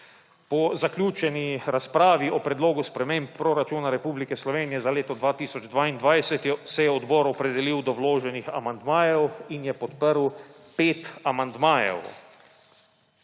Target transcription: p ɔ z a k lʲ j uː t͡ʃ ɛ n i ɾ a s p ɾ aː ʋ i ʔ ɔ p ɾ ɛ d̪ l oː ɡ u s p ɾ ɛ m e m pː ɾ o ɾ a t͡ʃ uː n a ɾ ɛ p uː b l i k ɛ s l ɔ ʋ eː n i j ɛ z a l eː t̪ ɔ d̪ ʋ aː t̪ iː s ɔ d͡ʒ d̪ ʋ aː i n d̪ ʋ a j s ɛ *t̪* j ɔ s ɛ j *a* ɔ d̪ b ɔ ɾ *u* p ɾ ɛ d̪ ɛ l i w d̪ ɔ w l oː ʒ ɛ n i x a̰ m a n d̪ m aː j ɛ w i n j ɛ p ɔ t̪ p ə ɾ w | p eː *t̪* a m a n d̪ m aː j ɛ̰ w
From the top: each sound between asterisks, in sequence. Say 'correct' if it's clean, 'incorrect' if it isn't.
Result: correct, incorrect: ɛ, incorrect: ɔ, correct

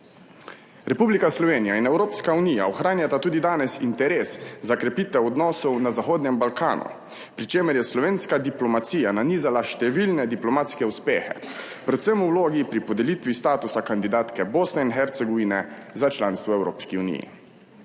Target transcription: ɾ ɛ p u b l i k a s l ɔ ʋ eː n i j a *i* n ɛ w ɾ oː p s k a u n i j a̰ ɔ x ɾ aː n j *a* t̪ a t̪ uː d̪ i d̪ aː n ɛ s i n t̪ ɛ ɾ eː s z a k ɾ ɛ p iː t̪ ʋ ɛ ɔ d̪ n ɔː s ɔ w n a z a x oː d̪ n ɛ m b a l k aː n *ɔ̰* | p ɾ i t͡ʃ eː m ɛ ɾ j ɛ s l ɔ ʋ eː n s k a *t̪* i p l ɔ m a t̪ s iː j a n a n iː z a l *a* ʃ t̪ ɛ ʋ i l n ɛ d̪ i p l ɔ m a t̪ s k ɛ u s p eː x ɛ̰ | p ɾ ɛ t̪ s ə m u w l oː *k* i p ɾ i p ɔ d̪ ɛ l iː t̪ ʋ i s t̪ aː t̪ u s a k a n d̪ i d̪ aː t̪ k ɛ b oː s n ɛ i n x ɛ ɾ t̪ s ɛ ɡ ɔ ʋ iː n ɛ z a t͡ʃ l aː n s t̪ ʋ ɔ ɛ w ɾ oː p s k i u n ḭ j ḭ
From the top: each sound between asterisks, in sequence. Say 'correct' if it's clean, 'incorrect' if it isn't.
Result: correct, correct, incorrect: ṵ, incorrect: d̪, correct, incorrect: ɡ

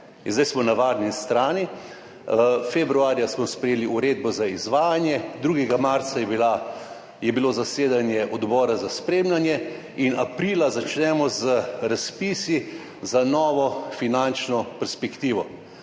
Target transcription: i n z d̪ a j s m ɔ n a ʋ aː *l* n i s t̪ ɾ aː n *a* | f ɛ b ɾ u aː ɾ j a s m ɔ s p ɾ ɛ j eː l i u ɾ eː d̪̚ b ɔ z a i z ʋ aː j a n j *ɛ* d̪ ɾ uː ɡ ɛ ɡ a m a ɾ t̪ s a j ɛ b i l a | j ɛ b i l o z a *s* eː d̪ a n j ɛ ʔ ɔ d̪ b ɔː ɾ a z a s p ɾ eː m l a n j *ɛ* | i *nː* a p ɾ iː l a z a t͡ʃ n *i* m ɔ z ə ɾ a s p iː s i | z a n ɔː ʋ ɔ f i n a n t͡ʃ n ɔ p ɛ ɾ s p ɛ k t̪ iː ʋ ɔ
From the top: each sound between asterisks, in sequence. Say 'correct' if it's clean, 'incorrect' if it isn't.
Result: incorrect: ɾ, incorrect: i, correct, correct, correct, incorrect: n, incorrect: ɛ

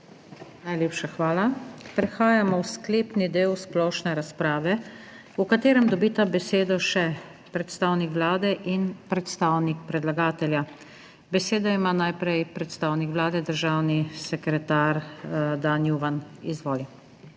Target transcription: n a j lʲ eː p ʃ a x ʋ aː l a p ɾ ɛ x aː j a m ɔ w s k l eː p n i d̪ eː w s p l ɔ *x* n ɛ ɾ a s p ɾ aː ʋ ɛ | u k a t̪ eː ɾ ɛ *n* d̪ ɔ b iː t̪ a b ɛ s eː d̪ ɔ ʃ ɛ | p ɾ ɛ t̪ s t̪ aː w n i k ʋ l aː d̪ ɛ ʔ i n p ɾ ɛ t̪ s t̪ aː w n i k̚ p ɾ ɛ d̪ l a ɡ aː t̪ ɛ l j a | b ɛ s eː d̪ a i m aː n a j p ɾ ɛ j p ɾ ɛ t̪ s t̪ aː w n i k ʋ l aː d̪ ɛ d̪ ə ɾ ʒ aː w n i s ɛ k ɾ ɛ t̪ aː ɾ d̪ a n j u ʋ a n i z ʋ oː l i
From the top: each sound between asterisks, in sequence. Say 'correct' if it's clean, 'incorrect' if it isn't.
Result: incorrect: ʃ, incorrect: m

